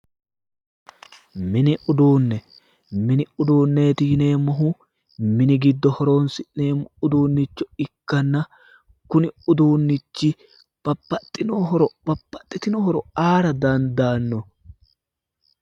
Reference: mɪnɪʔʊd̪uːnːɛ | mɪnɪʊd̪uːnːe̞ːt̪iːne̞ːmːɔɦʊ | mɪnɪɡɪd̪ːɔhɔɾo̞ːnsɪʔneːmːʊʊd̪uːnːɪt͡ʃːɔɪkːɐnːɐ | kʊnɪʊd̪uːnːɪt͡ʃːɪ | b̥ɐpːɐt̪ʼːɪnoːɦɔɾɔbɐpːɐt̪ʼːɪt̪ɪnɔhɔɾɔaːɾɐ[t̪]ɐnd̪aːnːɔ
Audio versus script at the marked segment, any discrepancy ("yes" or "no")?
yes